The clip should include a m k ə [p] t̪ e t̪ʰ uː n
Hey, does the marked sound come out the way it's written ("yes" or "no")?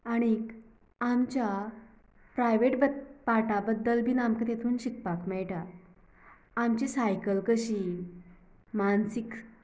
no